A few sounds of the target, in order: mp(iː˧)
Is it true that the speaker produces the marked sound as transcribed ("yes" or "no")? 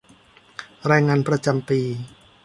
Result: yes